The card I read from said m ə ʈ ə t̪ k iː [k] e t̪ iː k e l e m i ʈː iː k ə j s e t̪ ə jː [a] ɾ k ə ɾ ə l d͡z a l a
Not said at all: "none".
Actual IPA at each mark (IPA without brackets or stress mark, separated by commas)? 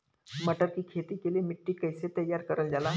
kʰ, a